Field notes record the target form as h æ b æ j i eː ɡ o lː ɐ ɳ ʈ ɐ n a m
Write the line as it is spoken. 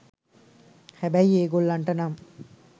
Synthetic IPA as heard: h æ b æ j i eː ɡ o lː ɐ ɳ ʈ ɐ n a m